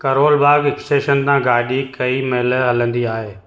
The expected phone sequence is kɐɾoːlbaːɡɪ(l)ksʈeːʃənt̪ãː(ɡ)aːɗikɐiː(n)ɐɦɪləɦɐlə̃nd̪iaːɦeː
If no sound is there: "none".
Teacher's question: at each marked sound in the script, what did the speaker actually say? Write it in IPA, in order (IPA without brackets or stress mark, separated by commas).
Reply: none, ɡ, m